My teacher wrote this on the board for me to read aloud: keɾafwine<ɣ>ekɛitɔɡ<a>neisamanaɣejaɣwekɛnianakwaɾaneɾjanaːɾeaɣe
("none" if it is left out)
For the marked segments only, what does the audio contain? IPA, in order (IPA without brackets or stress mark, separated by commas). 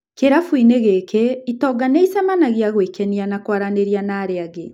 ɣ, a